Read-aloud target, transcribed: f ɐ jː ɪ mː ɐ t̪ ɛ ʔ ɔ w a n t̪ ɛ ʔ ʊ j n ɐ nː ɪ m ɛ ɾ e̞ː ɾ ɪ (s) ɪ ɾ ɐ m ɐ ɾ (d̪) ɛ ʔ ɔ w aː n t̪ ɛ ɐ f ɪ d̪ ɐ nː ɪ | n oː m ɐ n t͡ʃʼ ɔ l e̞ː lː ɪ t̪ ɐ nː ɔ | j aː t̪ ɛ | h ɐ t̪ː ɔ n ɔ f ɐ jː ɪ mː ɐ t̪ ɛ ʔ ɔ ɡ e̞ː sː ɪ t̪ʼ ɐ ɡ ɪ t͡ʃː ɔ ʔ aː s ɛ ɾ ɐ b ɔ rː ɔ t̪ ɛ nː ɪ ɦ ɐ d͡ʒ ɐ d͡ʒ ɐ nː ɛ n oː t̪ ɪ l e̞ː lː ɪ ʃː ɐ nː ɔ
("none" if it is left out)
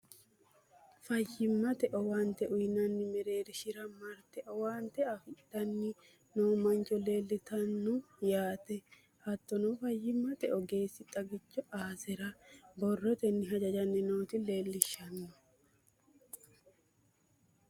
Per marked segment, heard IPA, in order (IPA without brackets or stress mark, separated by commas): ʃ, t̪